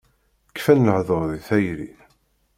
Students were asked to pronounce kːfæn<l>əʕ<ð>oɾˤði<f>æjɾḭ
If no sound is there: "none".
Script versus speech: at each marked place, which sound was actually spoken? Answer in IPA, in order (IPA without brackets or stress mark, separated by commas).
l, ð, θ